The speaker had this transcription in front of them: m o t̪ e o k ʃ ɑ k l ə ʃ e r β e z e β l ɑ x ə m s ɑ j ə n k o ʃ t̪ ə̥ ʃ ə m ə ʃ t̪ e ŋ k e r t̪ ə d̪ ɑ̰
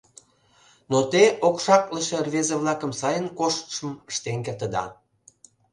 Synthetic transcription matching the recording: n o t̪ e o k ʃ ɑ k l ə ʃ e r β e z e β l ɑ k ə m s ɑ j ə n k o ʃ t̪ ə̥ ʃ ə m ə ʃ t̪ e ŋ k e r t̪ ə d̪ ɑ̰